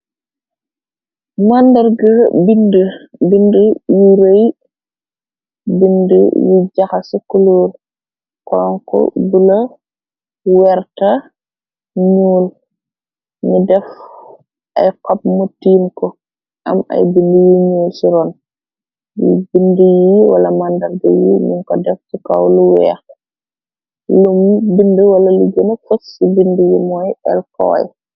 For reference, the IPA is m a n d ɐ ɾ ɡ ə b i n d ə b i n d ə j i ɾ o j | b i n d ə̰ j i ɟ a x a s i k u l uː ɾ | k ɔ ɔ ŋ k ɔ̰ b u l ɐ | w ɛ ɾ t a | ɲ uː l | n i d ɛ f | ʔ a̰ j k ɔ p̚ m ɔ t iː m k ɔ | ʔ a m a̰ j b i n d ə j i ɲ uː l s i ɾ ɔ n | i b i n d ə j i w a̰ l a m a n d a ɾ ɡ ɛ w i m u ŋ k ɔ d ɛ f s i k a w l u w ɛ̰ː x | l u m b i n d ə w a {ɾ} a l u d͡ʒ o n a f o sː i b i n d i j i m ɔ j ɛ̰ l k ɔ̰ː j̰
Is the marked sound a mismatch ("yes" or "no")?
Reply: yes